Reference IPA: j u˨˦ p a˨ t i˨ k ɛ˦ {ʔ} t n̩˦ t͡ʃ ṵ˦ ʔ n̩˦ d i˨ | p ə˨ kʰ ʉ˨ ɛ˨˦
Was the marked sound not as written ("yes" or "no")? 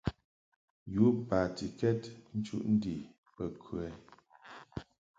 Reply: yes